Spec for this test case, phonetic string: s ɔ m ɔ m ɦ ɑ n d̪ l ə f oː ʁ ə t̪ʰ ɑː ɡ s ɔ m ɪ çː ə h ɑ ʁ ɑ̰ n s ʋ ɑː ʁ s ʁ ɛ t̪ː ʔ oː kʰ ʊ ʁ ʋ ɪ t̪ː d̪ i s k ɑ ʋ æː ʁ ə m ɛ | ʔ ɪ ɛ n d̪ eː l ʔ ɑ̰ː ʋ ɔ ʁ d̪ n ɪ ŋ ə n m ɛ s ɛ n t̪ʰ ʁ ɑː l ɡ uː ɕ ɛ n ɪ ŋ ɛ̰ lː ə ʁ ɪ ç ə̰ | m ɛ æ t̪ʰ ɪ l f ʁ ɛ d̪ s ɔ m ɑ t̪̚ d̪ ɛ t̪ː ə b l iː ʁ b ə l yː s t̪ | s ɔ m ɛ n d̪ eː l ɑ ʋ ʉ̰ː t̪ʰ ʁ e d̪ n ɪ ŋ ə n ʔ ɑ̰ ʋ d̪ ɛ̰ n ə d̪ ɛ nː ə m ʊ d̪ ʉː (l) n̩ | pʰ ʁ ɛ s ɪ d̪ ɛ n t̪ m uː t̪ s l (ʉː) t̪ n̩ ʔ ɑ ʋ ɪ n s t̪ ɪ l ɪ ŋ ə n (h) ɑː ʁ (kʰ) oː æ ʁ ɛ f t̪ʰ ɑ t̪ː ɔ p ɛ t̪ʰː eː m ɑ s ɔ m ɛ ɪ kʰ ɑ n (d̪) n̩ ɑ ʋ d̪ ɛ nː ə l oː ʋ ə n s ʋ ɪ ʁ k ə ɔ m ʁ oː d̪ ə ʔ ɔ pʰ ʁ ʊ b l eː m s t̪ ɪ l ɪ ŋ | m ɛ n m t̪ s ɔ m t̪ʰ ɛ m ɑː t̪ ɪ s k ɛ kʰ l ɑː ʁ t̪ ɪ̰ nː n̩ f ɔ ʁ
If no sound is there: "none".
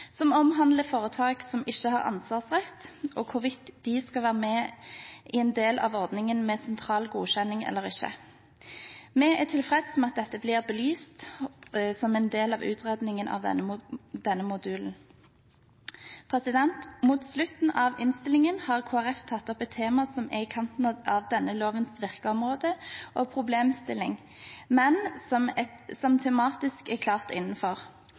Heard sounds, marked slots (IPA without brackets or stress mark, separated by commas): l, ʉ, h, kʰ, t̪